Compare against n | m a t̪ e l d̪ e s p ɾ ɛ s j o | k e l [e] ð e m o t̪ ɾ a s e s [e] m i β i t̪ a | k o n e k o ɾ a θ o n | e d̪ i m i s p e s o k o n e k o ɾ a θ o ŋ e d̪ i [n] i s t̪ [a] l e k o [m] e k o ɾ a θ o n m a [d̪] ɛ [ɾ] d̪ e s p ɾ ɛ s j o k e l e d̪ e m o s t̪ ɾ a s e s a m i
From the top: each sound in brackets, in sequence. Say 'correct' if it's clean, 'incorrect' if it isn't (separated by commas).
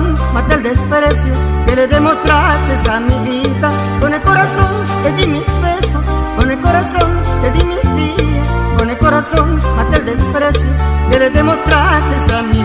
correct, incorrect, incorrect, incorrect, incorrect, incorrect, incorrect